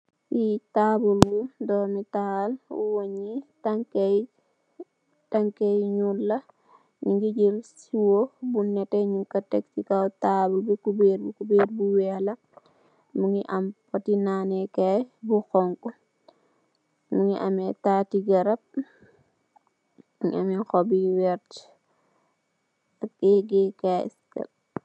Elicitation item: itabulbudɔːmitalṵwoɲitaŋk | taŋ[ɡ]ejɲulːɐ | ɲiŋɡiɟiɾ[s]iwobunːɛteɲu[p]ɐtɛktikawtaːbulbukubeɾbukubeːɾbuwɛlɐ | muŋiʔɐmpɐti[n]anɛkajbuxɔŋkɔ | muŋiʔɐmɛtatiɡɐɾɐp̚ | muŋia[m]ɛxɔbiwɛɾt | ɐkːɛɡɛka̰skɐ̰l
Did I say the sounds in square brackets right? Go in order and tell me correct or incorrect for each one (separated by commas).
incorrect, correct, incorrect, correct, correct